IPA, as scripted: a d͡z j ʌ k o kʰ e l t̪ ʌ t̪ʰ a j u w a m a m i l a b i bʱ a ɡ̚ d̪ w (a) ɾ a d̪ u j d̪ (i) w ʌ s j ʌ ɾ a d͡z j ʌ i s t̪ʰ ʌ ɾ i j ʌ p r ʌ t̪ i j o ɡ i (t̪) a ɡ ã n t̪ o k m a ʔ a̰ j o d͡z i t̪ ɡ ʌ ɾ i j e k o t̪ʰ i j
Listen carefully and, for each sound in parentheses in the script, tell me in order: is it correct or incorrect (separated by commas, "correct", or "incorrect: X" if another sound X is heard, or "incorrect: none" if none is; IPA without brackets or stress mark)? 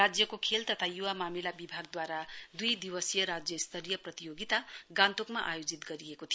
correct, correct, correct